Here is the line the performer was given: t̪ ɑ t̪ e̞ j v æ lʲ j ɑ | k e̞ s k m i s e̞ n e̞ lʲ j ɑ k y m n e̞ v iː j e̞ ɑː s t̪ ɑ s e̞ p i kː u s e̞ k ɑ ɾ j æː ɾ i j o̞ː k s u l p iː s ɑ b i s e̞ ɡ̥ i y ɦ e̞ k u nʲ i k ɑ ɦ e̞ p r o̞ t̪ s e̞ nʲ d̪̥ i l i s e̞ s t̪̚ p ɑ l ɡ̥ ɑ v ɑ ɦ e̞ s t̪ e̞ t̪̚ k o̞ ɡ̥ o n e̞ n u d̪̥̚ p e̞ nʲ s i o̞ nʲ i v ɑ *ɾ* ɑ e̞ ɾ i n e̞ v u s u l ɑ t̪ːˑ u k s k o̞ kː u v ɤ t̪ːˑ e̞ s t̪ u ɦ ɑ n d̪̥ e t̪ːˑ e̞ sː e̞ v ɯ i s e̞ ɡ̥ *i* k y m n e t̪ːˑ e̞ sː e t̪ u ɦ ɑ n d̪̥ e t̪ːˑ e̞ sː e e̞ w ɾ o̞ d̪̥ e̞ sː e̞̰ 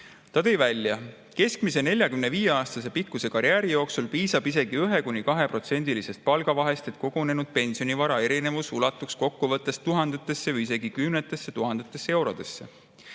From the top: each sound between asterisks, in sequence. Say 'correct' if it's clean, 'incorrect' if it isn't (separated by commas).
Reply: correct, correct